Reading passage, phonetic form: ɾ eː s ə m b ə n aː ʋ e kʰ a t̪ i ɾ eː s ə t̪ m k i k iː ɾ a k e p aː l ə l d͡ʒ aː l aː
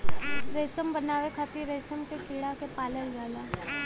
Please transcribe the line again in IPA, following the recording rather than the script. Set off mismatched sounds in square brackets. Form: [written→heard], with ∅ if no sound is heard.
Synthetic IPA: ɾ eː s ə m b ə n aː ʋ e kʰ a t̪ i ɾ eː s ə [t̪→∅] m k [i→e] k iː [ɾ→ɽ] a k e p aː l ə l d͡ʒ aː l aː